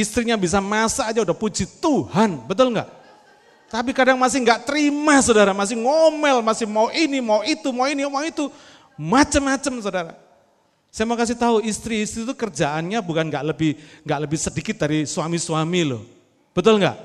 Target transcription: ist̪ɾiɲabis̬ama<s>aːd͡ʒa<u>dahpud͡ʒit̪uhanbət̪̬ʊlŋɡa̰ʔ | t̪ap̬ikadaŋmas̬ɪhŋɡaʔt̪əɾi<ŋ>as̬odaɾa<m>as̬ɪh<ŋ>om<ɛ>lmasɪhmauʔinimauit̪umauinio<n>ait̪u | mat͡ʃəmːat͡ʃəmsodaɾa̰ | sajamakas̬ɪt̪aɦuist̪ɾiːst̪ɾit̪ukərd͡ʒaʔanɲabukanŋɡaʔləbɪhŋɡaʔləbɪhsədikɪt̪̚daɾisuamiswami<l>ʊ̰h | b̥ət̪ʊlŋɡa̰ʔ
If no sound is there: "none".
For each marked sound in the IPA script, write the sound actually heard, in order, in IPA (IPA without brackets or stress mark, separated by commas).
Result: s, u, m, m, ŋ, ɛ, m, l